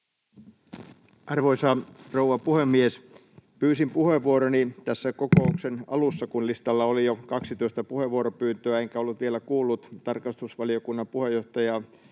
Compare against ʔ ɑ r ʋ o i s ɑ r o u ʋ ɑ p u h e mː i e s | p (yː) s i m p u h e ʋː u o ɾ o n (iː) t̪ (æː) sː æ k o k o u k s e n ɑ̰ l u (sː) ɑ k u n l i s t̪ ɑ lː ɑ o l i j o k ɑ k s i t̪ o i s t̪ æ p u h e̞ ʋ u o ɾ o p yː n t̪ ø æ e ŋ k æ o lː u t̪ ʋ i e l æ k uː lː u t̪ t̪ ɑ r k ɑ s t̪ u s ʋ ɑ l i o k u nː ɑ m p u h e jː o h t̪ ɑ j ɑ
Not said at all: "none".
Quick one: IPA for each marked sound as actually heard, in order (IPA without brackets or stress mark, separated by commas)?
yː, i, æ, sː